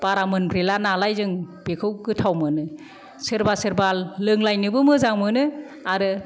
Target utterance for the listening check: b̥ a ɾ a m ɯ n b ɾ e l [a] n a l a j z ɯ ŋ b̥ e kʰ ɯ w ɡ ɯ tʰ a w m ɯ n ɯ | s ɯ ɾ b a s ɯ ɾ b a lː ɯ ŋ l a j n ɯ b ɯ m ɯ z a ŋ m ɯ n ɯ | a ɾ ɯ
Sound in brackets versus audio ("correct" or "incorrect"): correct